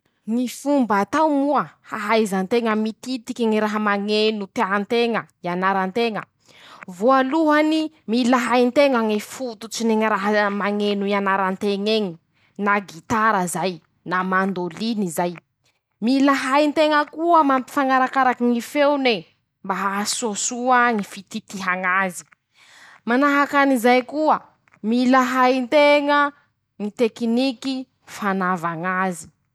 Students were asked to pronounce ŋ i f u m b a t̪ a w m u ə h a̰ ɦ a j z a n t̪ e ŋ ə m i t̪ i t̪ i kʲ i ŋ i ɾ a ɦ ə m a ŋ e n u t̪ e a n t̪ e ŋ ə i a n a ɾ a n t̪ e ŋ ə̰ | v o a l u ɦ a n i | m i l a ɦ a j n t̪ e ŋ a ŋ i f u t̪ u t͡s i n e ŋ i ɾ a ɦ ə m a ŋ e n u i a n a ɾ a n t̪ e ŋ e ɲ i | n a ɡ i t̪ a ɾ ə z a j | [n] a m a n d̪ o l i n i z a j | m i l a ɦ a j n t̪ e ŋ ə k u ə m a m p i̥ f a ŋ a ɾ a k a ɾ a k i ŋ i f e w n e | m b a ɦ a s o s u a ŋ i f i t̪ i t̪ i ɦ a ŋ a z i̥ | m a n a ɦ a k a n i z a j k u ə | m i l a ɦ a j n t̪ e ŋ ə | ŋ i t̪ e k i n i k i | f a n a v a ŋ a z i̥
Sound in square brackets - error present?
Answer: no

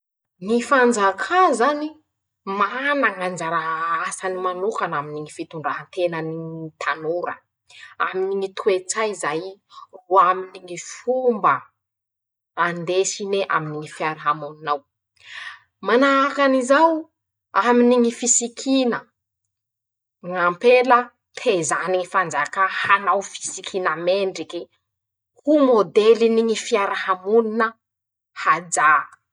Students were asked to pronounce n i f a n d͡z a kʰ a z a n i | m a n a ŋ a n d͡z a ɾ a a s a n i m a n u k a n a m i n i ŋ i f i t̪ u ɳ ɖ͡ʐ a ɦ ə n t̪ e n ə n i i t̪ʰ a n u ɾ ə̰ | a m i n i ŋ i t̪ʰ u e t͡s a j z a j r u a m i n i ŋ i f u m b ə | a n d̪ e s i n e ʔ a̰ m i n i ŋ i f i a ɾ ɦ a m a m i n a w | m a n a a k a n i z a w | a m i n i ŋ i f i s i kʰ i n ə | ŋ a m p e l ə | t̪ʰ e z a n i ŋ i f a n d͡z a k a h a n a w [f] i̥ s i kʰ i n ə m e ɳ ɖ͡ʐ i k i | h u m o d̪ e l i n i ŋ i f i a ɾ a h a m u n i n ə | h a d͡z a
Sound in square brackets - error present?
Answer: no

